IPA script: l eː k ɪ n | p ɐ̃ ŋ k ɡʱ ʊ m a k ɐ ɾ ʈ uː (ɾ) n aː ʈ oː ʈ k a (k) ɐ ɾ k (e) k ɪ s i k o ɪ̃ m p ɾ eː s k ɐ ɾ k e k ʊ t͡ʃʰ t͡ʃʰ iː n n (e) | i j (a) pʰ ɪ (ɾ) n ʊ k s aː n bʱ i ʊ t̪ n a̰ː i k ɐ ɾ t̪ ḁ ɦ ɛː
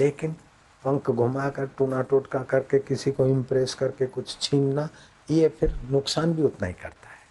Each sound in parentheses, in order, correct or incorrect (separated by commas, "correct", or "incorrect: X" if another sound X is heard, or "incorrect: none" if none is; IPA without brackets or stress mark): incorrect: none, correct, correct, incorrect: a, incorrect: e, correct